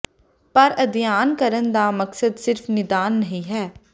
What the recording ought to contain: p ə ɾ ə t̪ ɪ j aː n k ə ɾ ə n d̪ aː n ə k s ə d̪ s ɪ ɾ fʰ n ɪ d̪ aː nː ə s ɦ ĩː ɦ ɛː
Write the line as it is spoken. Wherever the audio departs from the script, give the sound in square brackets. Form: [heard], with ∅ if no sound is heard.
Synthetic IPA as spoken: p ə ɾ ə [d̪] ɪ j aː n k ə ɾ ə n d̪ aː [m] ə k s ə d̪ s ɪ ɾ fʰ n ɪ d̪ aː nː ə [∅] ɦ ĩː ɦ ɛː